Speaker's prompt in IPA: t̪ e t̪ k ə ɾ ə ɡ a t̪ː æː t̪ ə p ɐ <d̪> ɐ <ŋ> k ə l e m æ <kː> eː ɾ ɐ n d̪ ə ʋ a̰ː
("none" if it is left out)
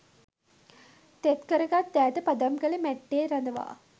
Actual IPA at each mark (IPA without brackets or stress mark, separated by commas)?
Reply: d̪, m, ʈː